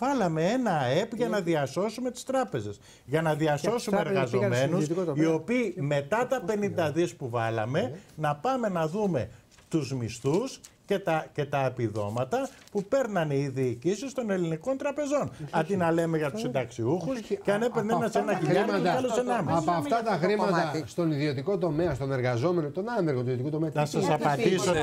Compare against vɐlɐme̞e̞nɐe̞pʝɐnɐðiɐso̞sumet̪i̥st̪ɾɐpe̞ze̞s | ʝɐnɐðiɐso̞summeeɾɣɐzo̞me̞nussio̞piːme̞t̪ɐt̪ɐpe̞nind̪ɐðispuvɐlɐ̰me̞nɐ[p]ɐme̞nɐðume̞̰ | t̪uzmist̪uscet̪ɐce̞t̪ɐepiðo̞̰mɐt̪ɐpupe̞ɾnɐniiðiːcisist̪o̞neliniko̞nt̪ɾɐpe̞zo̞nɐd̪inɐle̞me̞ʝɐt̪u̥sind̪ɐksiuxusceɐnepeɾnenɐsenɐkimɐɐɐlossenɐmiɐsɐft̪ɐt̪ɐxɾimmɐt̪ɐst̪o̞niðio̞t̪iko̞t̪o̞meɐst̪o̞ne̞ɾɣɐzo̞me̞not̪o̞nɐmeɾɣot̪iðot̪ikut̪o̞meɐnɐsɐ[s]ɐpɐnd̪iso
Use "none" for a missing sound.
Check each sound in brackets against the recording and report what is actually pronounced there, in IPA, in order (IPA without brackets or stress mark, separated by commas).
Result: p, s